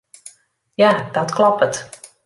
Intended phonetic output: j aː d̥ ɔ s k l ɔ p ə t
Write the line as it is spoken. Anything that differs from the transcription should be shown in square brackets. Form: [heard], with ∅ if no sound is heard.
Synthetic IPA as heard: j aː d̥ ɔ [t] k l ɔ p ə t